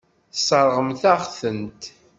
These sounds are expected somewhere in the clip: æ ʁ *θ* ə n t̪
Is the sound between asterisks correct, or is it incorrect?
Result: correct